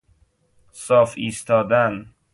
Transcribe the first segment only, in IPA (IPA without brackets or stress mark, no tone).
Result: s